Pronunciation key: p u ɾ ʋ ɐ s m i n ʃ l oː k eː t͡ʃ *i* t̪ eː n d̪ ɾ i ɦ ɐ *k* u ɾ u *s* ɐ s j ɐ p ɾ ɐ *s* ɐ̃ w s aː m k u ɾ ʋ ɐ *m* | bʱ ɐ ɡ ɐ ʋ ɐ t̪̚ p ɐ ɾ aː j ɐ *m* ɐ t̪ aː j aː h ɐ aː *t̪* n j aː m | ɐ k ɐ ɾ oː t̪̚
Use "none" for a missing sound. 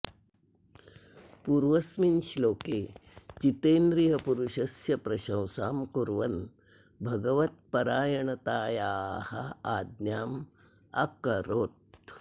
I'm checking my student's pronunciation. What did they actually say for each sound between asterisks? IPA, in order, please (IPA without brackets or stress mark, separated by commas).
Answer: i, p, ʃ, ʃ, n, ɳ, d̪